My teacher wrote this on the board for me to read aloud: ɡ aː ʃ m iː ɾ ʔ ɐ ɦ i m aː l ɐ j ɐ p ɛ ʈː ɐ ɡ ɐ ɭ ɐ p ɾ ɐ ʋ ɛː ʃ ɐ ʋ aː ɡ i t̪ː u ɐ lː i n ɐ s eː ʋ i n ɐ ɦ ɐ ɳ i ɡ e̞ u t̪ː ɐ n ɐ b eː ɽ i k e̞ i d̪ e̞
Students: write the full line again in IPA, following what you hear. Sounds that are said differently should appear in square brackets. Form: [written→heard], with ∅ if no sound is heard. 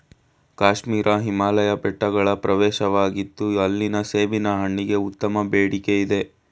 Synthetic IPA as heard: [ɡ→k] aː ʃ m iː ɾ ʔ ɐ ɦ i m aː l ɐ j ɐ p ɛ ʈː ɐ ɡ ɐ ɭ ɐ p ɾ ɐ ʋ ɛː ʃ ɐ ʋ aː ɡ i t̪ː u ɐ lː i n ɐ s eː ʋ i n ɐ ɦ ɐ [ɳ→ɳː] i ɡ e̞ u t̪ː ɐ [n→m] ɐ b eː ɽ i k e̞ i d̪ e̞

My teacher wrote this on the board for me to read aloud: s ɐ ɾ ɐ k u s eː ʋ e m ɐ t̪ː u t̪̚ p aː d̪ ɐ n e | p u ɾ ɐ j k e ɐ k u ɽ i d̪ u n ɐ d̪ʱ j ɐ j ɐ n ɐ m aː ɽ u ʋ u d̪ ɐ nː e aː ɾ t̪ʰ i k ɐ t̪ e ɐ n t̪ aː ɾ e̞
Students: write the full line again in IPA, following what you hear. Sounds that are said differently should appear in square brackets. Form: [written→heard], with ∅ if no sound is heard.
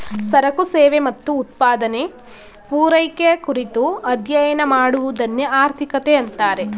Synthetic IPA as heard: s ɐ ɾ ɐ k u s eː ʋ e m ɐ t̪ː [u→uː] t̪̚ p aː d̪ ɐ n e | p [u→uː] ɾ ɐ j k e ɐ k u [ɽ→ɾ] i [d̪→t̪] u [n→∅] ɐ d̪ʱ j ɐ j ɐ n ɐ m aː ɽ u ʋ u d̪ ɐ nː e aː ɾ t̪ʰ i k ɐ t̪ e ɐ n t̪ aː ɾ e̞

